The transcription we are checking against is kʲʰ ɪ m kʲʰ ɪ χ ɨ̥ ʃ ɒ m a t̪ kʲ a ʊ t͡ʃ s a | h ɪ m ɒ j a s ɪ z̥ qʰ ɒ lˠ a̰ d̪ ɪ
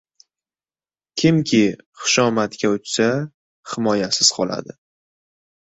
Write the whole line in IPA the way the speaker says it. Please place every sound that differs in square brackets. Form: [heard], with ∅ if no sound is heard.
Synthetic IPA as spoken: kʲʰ ɪ m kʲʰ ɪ χ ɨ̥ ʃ ɒ m a t̪ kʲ a ʊ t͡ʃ s a | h ɪ m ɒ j a s ɪ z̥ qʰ ɒ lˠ a̰ d̪ ɪ